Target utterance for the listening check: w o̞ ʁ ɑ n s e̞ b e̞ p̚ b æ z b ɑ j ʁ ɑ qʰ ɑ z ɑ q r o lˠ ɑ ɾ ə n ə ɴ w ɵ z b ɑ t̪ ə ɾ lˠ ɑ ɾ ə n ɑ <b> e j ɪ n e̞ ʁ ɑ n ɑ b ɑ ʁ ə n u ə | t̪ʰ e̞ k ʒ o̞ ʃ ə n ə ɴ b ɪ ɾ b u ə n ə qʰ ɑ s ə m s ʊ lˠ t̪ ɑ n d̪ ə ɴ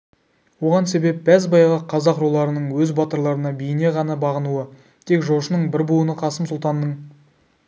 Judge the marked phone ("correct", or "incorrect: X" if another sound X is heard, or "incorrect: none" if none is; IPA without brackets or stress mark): correct